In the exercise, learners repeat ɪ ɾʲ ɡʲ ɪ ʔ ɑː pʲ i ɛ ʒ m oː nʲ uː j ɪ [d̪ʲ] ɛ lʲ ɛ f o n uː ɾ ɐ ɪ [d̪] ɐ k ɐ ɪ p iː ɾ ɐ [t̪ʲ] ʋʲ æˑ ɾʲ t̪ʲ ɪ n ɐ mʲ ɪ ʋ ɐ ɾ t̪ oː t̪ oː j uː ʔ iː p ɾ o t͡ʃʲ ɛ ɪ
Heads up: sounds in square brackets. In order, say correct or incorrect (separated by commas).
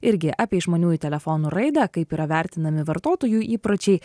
incorrect, correct, incorrect